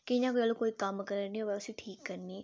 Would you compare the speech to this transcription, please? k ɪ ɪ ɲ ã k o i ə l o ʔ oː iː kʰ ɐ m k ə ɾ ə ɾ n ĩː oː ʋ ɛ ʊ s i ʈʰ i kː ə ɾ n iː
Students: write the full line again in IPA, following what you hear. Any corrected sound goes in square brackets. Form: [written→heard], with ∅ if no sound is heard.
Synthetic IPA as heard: k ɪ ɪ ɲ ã k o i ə l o [ʔ→k] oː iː [kʰ→k] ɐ m k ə ɾ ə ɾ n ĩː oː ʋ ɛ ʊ s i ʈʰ [i→iː] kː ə ɾ n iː

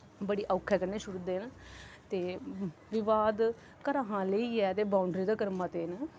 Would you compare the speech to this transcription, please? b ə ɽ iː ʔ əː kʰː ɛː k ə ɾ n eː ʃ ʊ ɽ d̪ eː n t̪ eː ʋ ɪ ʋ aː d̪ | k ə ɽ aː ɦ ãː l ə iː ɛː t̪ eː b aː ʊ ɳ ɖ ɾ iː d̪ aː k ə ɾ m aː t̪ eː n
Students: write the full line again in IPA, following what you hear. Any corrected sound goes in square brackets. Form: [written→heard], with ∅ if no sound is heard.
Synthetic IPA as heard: b ə ɽ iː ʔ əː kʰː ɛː k ə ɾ n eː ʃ ʊ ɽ d̪ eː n t̪ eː ʋ ɪ ʋ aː d̪ | k ə [ɽ→ɾ] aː ɦ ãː l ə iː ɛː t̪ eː b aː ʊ ɳ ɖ ɾ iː d̪ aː k ə ɾ m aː t̪ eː n

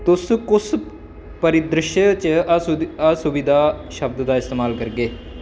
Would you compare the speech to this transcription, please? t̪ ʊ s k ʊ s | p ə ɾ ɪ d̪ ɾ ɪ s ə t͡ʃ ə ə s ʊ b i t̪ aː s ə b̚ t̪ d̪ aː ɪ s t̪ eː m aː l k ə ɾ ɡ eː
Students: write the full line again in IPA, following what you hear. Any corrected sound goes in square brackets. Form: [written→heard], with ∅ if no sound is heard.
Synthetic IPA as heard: t̪ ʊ s k ʊ s | p ə ɾ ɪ d̪ ɾ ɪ [s→ʃ] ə t͡ʃ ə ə s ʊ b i [t̪→d̪] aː [s→ʃ] ə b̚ [t̪→d̪] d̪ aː ɪ s t̪ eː m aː l k ə ɾ ɡ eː

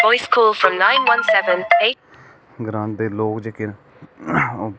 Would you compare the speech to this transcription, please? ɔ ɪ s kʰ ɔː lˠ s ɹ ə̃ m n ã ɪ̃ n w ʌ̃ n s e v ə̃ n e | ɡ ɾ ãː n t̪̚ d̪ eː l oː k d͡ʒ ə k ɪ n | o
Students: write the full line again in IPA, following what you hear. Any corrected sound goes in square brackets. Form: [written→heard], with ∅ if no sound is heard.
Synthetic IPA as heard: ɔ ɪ s kʰ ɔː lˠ [s→f] ɹ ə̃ m n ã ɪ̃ n w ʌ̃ n s [e→ɛ] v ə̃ n e | ɡ ɾ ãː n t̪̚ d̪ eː l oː k d͡ʒ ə k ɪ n | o

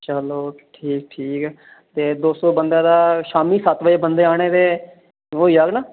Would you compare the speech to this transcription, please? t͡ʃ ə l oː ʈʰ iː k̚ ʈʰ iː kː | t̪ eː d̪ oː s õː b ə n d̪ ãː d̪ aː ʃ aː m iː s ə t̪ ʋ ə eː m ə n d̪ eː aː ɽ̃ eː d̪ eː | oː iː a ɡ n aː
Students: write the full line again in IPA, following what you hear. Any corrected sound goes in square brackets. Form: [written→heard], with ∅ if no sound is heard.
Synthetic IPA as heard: t͡ʃ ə l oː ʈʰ iː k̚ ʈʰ iː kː | t̪ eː d̪ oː s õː b ə n d̪ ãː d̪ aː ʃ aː m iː s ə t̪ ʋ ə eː [m→b] ə n d̪ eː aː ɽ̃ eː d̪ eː | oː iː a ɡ n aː

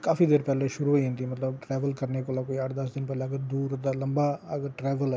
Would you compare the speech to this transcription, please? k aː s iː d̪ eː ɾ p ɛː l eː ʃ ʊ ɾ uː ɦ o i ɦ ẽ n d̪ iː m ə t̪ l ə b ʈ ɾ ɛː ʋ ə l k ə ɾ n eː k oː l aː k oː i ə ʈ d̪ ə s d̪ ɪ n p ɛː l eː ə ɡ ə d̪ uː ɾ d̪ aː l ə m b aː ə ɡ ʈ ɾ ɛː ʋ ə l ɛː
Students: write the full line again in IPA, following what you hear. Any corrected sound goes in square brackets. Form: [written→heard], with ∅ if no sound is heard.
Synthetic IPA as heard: k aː [s→f] iː d̪ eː ɾ p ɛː l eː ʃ ʊ ɾ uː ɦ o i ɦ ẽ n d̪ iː m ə t̪ l ə b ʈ ɾ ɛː ʋ ə l k ə ɾ n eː k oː l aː k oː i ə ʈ d̪ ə s d̪ ɪ n p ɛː l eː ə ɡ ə d̪ uː ɾ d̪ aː l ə m b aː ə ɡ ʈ ɾ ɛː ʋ ə l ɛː

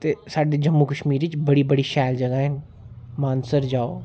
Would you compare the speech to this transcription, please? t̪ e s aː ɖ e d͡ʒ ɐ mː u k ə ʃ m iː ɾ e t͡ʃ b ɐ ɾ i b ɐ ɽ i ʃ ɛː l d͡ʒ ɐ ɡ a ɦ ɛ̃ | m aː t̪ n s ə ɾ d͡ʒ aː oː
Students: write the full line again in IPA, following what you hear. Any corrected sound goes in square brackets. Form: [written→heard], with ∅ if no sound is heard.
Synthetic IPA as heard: t̪ e s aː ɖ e d͡ʒ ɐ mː u k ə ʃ m iː ɾ [e→i] t͡ʃ b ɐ [ɾ→ɽ] i b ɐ ɽ i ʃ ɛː l d͡ʒ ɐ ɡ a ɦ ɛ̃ | m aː [t̪→∅] n s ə ɾ d͡ʒ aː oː

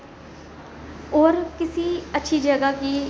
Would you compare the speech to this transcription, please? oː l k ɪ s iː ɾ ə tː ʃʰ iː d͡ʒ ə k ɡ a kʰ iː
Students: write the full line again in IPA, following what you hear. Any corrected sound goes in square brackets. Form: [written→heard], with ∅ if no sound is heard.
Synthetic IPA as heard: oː [l→ɾ] k ɪ s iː [ɾ→∅] ə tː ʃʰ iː d͡ʒ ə [k→∅] ɡ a [kʰ→k] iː

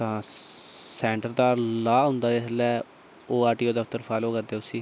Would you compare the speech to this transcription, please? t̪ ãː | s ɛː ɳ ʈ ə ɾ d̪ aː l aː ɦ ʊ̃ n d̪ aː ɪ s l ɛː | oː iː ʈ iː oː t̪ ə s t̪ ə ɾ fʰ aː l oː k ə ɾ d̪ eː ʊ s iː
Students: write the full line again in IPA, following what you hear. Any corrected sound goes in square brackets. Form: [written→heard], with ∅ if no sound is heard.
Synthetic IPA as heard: t̪ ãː | s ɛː ɳ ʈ ə ɾ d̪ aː l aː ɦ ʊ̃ n d̪ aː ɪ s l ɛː | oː [iː→aː] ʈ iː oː [t̪→d̪] ə [s→f] t̪ ə ɾ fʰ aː l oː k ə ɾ d̪ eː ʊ s iː

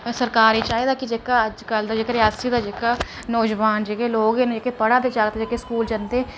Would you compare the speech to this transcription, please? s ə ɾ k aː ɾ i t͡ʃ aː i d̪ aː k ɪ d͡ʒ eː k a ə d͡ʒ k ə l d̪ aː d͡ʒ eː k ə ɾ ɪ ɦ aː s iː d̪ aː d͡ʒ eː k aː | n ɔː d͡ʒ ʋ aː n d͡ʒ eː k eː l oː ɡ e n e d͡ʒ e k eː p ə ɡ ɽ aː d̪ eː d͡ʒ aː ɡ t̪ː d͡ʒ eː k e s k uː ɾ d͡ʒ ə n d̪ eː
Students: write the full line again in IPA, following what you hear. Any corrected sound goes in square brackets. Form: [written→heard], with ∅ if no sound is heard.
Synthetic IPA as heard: s ə ɾ k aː ɾ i t͡ʃ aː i d̪ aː k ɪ d͡ʒ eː k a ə d͡ʒ k ə l d̪ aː d͡ʒ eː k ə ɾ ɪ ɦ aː s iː d̪ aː d͡ʒ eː k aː | n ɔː d͡ʒ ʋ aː n d͡ʒ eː k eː l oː ɡ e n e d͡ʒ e k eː p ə [ɡ→∅] ɽ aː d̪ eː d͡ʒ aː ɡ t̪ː d͡ʒ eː k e s k uː [ɾ→l] d͡ʒ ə n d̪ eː

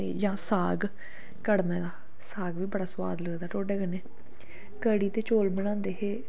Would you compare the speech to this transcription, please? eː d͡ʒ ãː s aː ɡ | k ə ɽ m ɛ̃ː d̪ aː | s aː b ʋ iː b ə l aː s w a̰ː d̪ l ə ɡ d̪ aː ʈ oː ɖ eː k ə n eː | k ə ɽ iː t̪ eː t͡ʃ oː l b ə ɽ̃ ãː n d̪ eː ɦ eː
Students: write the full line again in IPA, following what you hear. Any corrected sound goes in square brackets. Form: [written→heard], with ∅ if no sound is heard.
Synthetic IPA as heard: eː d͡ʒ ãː s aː ɡ | k ə ɽ m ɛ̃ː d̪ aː | s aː [b→ɡ] ʋ iː b ə [l→ɽ] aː s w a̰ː d̪ l ə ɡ d̪ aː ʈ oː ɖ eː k ə n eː | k ə ɽ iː t̪ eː t͡ʃ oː l b ə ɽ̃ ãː n d̪ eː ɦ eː

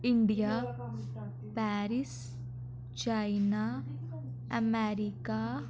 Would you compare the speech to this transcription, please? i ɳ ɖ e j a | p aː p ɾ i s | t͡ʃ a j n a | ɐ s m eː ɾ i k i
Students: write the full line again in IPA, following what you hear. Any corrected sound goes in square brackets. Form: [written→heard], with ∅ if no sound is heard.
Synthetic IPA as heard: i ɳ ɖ [e→i] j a | p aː [p→∅] ɾ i s | t͡ʃ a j n a | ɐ [s→∅] m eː ɾ i k [i→a]

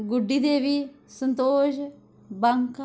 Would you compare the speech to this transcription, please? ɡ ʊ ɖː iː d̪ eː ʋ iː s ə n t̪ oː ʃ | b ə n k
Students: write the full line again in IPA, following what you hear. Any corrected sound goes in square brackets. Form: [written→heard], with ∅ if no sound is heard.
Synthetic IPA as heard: ɡ ʊ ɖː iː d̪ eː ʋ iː s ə n t̪ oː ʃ | b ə [n→ŋ] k

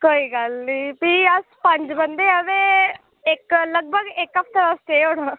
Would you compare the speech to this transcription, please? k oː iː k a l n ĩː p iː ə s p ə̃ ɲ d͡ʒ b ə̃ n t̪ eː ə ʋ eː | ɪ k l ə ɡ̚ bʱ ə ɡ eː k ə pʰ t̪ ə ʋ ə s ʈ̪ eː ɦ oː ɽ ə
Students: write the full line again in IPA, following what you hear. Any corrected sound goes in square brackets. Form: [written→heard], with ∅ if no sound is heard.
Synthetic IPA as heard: k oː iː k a l n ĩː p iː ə s p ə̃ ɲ d͡ʒ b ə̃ n [t̪→d̪] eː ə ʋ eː | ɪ k l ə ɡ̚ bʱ ə ɡ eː k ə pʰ t̪ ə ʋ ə s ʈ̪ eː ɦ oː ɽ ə

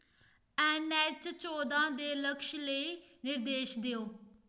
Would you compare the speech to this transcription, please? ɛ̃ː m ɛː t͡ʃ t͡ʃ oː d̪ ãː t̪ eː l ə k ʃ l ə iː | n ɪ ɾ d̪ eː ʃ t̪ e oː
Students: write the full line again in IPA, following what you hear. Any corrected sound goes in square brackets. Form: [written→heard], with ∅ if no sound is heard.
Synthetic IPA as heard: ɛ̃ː [m→n] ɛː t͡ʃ t͡ʃ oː d̪ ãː [t̪→d̪] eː l ə k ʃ l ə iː | n ɪ ɾ d̪ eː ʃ [t̪→d̪] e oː

